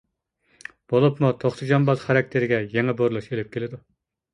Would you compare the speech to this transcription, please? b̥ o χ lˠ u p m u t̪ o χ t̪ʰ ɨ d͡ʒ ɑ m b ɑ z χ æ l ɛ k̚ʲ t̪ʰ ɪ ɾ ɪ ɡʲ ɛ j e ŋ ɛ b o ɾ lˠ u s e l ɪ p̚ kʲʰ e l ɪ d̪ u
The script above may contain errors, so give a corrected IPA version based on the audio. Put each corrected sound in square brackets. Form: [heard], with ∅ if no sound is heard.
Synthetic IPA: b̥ o [∅] lˠ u p m u [t̪ʰ] o χ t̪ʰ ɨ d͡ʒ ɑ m b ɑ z χ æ [ɾ] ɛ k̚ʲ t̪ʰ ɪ ɾ ɪ ɡʲ ɛ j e ŋ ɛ b o ɾ lˠ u [ʃ] e l ɪ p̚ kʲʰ e l ɪ d̪ u